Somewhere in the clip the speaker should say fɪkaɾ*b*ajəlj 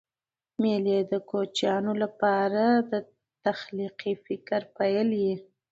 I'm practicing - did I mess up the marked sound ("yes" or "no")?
yes